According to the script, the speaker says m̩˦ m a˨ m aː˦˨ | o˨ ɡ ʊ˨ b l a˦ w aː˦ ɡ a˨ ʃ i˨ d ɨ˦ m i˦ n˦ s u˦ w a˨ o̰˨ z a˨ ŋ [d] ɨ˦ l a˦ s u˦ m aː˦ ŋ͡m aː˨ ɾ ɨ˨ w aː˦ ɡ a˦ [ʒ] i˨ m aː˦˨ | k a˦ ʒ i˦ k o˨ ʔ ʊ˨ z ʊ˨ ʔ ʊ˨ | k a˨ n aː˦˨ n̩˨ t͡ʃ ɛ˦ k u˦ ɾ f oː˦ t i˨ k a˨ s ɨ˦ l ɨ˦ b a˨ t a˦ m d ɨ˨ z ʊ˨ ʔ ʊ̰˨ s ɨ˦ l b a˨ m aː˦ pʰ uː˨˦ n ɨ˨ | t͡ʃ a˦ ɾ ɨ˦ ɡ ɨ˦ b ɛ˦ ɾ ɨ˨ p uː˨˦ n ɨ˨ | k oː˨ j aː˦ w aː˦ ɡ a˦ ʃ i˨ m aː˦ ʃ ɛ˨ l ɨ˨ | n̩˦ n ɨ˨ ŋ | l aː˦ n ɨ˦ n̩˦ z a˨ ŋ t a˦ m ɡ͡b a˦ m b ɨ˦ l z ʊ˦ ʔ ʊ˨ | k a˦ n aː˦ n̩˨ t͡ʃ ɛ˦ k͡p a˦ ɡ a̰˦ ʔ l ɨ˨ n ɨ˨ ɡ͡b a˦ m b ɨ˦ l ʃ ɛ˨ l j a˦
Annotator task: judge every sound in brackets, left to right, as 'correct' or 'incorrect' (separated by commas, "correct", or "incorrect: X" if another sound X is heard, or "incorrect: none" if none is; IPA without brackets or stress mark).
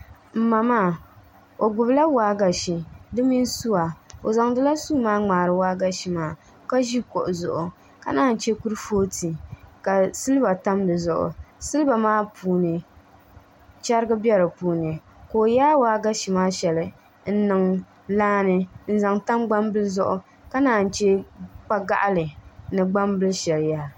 correct, incorrect: ʃ